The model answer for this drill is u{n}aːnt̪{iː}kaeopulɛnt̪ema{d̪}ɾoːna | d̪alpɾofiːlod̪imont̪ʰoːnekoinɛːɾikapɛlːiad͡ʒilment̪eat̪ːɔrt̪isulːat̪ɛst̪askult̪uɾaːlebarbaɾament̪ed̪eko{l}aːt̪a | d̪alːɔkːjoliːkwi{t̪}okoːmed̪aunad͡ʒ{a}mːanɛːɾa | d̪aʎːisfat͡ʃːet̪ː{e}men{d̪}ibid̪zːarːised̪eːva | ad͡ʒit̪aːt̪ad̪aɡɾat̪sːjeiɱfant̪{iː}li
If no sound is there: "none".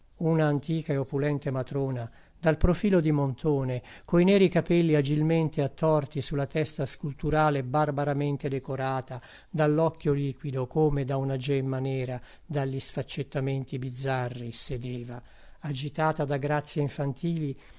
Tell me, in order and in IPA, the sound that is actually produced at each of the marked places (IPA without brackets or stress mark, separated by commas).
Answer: n, iː, t̪, ɾ, d̪, ɛ, a, t̪, iː